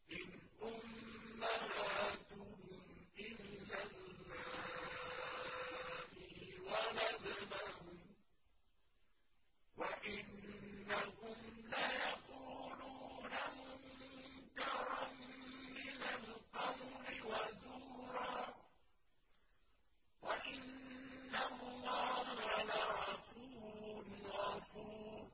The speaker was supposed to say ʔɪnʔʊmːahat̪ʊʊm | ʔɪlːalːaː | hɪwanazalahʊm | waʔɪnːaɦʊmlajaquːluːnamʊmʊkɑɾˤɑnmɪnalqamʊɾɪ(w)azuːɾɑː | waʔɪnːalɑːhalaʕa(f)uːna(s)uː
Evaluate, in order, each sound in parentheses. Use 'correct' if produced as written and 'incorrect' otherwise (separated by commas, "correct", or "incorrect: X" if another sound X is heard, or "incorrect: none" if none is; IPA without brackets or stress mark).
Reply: correct, correct, incorrect: f